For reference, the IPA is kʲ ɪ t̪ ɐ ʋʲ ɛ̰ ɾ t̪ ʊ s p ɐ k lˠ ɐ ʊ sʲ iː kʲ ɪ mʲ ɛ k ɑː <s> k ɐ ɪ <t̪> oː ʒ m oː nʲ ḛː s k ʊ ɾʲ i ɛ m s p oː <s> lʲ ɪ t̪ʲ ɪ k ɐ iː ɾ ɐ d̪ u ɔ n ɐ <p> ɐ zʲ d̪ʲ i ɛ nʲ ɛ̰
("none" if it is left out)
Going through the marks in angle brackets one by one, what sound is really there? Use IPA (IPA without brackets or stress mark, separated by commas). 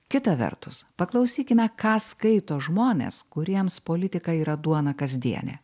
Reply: s, t̪, none, k